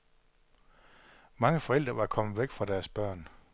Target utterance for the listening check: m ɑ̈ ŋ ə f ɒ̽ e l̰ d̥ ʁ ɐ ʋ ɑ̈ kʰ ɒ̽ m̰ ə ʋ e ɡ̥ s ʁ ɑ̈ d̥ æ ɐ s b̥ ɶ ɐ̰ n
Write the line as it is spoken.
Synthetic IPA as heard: m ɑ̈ ŋ ə f ɒ̽ e l̰ d̥ ʁ ɐ ʋ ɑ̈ kʰ ɒ̽ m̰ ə ʋ e ɡ̥ f ʁ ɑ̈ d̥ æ ɐ s b̥ ɶ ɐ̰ n